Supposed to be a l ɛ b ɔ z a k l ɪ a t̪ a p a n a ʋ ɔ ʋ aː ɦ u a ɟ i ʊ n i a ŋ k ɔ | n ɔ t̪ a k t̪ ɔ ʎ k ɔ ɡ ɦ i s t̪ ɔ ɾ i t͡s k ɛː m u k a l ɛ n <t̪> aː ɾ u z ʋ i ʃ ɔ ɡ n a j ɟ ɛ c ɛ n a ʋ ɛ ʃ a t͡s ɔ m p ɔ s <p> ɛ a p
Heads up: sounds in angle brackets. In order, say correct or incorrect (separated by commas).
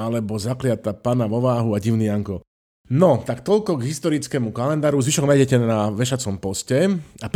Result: incorrect, incorrect